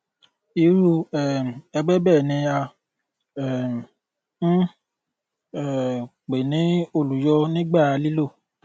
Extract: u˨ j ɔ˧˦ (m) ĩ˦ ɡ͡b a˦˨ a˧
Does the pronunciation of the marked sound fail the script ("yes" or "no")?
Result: yes